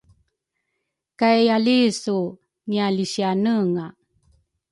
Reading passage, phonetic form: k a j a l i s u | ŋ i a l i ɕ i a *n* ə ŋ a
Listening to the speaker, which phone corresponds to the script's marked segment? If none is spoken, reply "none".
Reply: n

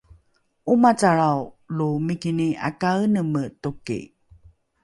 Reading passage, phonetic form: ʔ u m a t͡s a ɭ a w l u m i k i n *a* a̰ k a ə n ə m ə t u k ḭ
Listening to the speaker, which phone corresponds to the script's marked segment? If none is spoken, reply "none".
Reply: i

